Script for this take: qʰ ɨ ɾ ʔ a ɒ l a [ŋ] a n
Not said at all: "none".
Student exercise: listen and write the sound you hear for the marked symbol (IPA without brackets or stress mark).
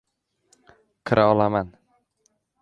m